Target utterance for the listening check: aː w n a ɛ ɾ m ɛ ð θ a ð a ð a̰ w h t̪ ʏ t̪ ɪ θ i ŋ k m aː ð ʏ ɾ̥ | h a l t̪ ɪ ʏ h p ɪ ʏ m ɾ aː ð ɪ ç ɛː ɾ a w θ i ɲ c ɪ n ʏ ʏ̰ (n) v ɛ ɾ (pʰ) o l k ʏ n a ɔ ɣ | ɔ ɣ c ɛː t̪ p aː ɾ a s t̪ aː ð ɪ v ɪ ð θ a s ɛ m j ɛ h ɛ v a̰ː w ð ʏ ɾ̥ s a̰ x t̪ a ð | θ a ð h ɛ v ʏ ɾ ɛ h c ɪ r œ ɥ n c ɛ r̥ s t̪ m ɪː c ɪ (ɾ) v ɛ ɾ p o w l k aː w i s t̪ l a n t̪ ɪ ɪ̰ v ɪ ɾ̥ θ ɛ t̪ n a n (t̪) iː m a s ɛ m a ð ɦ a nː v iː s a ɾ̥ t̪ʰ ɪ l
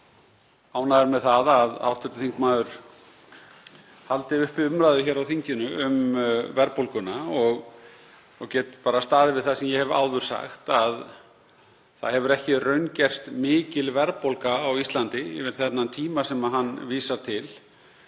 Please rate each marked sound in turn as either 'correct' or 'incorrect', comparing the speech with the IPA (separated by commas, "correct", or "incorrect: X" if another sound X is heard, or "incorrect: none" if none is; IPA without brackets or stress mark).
incorrect: m, incorrect: p, incorrect: l, incorrect: t̪ʰ